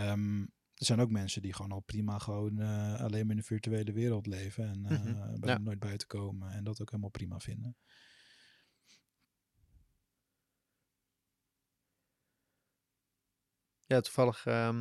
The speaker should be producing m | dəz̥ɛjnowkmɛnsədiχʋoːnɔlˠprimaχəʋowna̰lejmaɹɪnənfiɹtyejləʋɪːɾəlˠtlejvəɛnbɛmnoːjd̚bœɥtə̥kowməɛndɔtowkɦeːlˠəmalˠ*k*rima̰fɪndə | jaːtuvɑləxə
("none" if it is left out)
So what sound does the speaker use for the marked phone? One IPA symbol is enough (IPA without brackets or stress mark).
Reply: p